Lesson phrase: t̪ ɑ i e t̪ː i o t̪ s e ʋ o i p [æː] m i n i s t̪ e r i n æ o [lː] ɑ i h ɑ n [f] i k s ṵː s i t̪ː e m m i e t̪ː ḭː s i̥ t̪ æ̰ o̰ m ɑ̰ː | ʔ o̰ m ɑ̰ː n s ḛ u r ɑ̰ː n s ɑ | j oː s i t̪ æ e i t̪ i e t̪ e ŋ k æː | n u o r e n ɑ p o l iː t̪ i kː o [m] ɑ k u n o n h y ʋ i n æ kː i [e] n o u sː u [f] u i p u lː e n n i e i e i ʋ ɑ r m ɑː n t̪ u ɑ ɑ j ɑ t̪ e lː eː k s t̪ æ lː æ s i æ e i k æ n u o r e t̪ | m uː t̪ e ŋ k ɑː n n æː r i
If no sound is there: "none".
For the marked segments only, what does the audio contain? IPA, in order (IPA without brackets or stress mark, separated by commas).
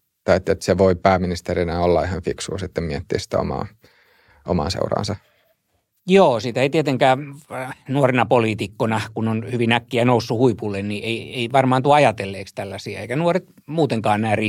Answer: æː, lː, f, n, æ, h